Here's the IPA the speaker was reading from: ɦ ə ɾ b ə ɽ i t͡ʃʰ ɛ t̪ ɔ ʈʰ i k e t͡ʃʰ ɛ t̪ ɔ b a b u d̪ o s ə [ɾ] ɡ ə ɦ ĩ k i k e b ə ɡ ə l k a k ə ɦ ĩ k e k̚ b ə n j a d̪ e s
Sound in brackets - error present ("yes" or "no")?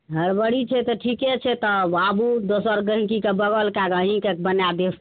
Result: no